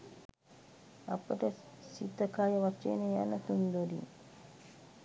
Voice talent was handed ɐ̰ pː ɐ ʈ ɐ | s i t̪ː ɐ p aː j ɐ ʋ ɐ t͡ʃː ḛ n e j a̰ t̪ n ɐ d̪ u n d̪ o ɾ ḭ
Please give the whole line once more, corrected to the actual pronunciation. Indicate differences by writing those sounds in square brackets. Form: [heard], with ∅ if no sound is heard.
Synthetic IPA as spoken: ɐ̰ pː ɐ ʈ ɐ | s i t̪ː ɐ [k] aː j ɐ ʋ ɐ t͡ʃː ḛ n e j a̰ [∅] n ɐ [t̪] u n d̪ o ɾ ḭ